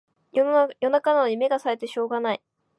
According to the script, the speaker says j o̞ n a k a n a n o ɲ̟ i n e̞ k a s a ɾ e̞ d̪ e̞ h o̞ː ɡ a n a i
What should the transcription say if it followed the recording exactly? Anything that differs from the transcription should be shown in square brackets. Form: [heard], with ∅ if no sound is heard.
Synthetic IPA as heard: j o̞ n a k a n a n o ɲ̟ i [m] e̞ [ɡ] a s a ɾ e̞ [t̪] e̞ [ɕ] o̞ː ɡ a n a i